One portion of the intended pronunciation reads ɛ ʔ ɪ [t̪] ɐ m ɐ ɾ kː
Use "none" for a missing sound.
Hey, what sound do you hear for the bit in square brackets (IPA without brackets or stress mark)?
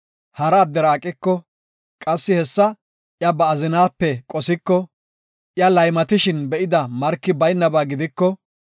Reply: d̪